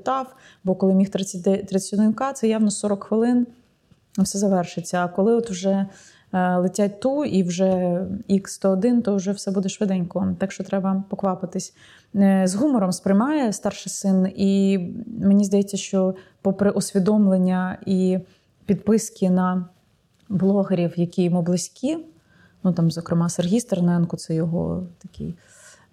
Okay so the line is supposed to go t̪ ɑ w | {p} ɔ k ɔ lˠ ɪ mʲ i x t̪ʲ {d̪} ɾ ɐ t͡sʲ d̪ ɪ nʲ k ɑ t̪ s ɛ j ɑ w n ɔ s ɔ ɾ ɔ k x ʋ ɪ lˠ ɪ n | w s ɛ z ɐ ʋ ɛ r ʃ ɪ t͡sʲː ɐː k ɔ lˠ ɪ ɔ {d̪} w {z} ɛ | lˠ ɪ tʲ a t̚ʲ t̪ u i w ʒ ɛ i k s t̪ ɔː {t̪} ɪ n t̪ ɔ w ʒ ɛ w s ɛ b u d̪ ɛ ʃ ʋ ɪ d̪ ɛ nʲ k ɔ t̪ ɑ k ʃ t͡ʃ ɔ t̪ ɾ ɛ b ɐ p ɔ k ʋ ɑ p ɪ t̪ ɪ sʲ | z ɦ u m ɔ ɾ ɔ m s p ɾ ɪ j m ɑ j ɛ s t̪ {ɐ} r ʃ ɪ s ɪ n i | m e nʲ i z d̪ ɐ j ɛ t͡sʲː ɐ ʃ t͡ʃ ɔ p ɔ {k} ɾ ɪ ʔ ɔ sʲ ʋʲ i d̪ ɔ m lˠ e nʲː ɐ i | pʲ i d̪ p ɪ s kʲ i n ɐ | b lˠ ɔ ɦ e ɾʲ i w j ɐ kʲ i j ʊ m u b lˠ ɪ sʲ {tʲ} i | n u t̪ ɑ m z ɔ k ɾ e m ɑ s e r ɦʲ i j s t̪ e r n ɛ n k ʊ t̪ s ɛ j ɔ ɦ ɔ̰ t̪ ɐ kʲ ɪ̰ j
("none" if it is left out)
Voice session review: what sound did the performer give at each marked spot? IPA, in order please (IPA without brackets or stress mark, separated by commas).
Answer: b, t̪, t̪, ʒ, d̪, ɑ, p, kʲ